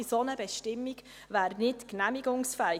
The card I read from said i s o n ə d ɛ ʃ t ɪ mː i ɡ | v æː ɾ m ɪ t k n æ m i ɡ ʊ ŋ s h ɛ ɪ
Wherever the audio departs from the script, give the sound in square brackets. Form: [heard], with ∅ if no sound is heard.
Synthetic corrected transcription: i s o n ə [b] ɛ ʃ t ɪ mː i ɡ | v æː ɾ [n] ɪ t k n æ m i ɡ ʊ ŋ s [f] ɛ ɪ

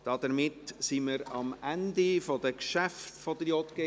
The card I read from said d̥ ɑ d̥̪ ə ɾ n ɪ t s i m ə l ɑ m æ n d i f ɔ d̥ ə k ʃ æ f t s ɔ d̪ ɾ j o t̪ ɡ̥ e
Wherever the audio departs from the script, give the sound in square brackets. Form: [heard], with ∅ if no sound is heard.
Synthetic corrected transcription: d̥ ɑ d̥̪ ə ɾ [m] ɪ t s i m ə [ɾ] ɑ m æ n d i f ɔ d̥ ə k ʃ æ f t [f] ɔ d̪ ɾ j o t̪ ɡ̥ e

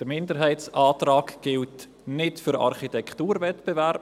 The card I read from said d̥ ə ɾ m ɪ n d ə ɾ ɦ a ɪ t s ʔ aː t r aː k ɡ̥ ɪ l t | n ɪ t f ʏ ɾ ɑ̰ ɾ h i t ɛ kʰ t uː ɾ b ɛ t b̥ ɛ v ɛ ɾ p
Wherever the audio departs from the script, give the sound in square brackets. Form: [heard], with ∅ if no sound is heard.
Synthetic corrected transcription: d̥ ə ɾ m ɪ n d ə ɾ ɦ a ɪ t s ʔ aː t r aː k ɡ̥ ɪ l t | n ɪ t f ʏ ɾ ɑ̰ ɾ [χ] i t ɛ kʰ t uː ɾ [v] ɛ t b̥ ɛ v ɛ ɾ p

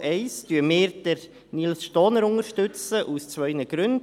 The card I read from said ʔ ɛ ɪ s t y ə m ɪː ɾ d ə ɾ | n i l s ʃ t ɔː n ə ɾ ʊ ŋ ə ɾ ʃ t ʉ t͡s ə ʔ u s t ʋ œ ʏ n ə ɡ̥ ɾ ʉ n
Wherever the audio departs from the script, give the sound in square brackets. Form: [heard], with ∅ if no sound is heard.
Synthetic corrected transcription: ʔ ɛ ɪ s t y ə m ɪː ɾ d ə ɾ | n i l s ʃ t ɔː n ə ɾ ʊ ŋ ə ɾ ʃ t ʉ t͡s ə ʔ u s [t͡s] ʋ œ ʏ n ə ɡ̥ ɾ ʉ n

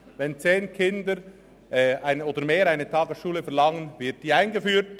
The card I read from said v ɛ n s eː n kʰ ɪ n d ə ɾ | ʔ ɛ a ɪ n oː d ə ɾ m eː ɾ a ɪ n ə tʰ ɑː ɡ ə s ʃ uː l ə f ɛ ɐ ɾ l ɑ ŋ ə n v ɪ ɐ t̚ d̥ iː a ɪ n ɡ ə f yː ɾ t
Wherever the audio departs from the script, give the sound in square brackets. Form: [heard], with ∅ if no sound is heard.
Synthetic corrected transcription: v ɛ n [t͡s] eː n kʰ ɪ n d ə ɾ | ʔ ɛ a ɪ n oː d ə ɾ m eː ɾ a ɪ n ə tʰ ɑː ɡ ə s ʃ uː l ə f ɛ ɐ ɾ l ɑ ŋ ə n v ɪ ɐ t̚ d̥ iː a ɪ n ɡ ə f yː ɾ t

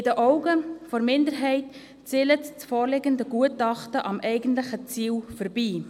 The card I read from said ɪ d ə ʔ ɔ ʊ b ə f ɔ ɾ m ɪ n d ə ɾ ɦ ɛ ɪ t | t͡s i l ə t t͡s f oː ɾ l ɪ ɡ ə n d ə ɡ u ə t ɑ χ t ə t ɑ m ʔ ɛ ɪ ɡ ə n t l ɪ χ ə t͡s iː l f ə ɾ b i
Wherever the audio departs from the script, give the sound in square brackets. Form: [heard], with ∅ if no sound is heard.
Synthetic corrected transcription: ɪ d ə ʔ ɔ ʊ [ɡ] ə f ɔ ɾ m ɪ n d ə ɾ ɦ ɛ ɪ t | t͡s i l ə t t͡s f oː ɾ l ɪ ɡ ə n d ə ɡ u ə t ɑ χ t ə [ʔ] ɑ m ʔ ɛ ɪ ɡ ə n t l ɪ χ ə t͡s iː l f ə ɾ b [iː]

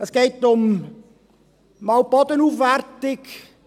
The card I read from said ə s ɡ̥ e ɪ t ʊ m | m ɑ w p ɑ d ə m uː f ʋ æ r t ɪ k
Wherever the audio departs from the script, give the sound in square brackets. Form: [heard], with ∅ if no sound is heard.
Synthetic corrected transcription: ə s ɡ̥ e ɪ t ʊ m | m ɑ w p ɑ d ə [n] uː f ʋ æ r t ɪ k

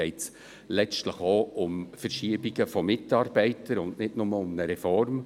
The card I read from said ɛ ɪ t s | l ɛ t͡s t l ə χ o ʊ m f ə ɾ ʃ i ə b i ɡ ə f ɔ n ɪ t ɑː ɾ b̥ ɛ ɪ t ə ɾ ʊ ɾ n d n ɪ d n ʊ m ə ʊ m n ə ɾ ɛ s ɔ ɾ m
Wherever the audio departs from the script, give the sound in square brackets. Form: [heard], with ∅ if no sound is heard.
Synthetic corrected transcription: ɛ ɪ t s | l ɛ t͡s t l ə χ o ʊ m f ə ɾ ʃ i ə b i ɡ ə f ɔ [m] ɪ t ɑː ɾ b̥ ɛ ɪ t ə ɾ ʊ [∅] n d n ɪ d n ʊ m ə ʊ m n ə ɾ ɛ [f] ɔ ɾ m

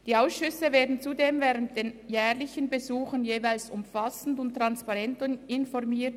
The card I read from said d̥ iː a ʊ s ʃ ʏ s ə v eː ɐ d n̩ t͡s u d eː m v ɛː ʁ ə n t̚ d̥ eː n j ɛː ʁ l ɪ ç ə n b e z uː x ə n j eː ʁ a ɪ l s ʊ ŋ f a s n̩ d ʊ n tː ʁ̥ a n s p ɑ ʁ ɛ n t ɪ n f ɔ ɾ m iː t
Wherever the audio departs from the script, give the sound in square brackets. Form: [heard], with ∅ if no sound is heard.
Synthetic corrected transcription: d̥ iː a ʊ s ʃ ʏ s ə v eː ɐ d n̩ t͡s u d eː m v ɛː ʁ ə n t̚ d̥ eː n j ɛː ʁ l ɪ ç ə n b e z uː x ə n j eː [v] a ɪ l s ʊ [m] f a s n̩ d ʊ n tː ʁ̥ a n s p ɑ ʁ ɛ n t ɪ n f ɔ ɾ m iː t

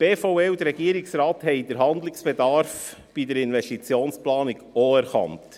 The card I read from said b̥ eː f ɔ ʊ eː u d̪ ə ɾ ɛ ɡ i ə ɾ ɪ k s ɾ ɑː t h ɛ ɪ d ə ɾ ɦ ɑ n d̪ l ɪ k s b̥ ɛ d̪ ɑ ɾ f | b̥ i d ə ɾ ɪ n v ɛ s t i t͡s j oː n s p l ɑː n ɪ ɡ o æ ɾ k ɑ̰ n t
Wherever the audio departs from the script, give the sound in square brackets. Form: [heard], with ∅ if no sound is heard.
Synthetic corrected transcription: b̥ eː f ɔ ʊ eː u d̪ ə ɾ ɛ ɡ i ə ɾ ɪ k s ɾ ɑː t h ɛ ɪ d ə ɾ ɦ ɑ n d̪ l ɪ k s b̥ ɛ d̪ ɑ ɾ f | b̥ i d ə ɾ ɪ n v ɛ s t i t͡s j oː n s p l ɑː n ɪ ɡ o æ ɾ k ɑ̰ n t

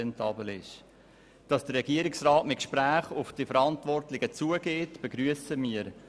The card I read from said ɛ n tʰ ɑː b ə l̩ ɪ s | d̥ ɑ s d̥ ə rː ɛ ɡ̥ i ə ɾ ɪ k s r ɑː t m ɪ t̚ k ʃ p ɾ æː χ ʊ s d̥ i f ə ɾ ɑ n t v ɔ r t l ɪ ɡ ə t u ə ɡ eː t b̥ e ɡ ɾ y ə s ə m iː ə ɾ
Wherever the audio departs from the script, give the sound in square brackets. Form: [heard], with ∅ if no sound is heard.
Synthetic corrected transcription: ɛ n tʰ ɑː b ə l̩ ɪ [ʃ] | d̥ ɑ s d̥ ə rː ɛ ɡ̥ i ə ɾ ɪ k s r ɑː t m ɪ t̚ k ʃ p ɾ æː χ ʊ [f] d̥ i f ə ɾ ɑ n t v ɔ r t l ɪ ɡ ə [t͡s] u ə ɡ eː t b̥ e ɡ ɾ y ə s ə m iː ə ɾ

